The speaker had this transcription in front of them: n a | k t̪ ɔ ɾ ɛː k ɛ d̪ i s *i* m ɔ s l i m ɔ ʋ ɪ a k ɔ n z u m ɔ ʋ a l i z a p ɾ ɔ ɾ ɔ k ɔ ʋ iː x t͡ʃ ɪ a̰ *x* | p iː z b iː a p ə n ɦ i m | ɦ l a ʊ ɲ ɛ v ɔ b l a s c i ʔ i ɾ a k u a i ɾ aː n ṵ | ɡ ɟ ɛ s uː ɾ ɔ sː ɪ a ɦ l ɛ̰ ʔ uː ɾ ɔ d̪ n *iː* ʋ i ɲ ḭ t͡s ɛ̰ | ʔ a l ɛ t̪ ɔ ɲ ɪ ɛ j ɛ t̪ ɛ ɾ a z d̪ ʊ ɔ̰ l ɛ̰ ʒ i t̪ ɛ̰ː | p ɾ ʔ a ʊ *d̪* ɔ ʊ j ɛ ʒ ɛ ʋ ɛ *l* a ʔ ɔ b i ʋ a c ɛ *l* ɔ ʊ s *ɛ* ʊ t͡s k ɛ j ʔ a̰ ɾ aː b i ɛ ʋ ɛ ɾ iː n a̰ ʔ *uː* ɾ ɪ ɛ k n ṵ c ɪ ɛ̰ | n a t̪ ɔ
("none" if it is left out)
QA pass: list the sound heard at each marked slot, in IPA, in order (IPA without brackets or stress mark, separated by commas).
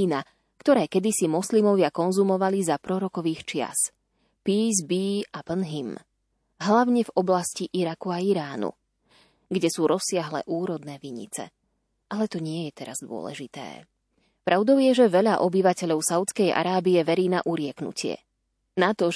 i, s, ɛː, d̪, ʎ, ʎ, a, u